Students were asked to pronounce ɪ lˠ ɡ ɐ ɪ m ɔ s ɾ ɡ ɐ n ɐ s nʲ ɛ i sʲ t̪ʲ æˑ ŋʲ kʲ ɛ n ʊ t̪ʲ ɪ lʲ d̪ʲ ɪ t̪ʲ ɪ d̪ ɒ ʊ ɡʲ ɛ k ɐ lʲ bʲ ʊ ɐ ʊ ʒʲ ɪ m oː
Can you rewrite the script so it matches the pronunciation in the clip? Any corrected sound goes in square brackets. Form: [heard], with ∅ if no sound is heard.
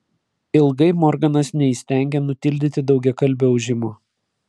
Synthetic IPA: ɪ lˠ ɡ ɐ ɪ m ɔ [∅] ɾ ɡ ɐ n ɐ s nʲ ɛ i sʲ t̪ʲ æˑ ŋʲ [ɡʲ] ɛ n ʊ t̪ʲ ɪ lʲ d̪ʲ ɪ t̪ʲ ɪ d̪ ɒ ʊ ɡʲ ɛ k ɐ lʲ bʲ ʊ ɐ ʊ ʒʲ ɪ m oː